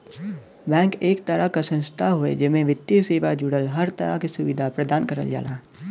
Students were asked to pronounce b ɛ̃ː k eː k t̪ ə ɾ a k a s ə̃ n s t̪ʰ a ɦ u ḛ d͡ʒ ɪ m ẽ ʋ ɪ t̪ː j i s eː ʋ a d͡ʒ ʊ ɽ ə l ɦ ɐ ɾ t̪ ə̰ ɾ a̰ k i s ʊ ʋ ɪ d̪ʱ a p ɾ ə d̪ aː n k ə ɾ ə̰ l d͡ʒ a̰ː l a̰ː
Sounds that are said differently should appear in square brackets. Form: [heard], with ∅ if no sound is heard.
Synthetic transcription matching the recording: b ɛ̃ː k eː k t̪ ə ɾ a k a s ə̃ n s t̪ʰ a ɦ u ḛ d͡ʒ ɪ m ẽ ʋ ɪ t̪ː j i s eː ʋ a d͡ʒ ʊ ɽ ə l ɦ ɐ ɾ t̪ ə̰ ɾ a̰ k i s ʊ ʋ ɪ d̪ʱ a p ɾ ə d̪ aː n k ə ɾ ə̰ l d͡ʒ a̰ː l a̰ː